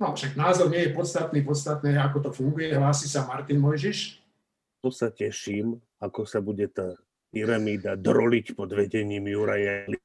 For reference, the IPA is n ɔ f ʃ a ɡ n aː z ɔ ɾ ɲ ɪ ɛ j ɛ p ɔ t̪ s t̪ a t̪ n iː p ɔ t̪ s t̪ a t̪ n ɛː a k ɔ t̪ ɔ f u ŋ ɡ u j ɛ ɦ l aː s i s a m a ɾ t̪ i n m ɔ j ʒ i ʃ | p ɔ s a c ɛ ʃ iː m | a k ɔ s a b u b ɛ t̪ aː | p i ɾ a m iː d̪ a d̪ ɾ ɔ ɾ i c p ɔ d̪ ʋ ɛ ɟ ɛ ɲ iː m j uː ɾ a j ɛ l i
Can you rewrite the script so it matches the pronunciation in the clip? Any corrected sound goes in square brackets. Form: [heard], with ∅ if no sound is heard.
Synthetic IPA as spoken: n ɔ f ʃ a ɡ n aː z ɔ ɾ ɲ ɪ ɛ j ɛ p ɔ t̪ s t̪ a t̪ n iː p ɔ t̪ s t̪ a t̪ n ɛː a k ɔ t̪ ɔ f u ŋ ɡ u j ɛ ɦ l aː s i s a m a ɾ t̪ i n m ɔ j ʒ i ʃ | p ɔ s a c ɛ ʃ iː m | a k ɔ s a b u [ɟ] ɛ t̪ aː | p i ɾ a m iː d̪ a d̪ ɾ ɔ [l] i c p ɔ d̪ ʋ ɛ ɟ ɛ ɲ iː m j [u] ɾ a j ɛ l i